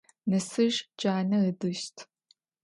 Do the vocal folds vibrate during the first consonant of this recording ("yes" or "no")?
yes